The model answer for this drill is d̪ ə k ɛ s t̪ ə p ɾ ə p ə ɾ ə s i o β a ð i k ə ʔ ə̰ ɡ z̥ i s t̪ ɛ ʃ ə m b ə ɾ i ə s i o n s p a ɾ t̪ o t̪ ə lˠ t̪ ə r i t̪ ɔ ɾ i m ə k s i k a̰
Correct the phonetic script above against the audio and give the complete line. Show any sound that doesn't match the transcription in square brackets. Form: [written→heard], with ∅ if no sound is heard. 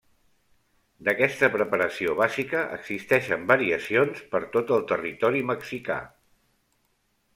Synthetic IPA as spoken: d̪ ə k ɛ s t̪ ə p ɾ ə p ə ɾ ə s i o β a [ð→z] i k ə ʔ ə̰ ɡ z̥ i s t̪ ɛ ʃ ə m b ə ɾ i ə s i o n s p [a→ə] ɾ t̪ o t̪ ə lˠ t̪ ə r i t̪ ɔ ɾ i m ə k s i k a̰